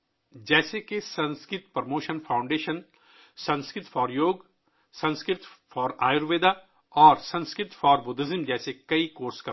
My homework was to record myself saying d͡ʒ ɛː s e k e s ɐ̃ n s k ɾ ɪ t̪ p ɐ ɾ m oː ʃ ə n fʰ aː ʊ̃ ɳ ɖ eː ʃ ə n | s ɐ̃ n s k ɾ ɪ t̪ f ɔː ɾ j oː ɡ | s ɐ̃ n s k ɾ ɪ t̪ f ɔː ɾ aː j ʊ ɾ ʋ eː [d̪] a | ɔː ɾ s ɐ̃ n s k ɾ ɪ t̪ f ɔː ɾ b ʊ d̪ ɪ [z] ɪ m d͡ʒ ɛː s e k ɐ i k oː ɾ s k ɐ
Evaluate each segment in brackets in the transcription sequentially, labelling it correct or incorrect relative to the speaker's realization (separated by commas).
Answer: correct, correct